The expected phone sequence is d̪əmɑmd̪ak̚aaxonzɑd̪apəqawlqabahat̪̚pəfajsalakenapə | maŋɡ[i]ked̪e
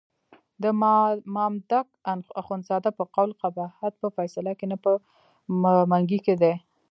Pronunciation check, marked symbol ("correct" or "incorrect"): correct